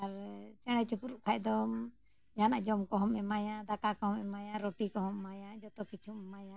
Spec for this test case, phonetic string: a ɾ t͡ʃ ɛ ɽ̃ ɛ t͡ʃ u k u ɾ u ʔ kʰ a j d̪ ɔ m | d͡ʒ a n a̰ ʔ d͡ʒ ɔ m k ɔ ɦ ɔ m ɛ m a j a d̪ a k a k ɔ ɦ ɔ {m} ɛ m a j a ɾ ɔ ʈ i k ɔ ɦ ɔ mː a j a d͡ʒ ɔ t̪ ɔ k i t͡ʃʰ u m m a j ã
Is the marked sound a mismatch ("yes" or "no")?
no